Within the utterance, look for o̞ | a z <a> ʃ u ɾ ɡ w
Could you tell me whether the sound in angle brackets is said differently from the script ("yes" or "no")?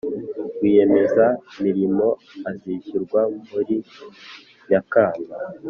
yes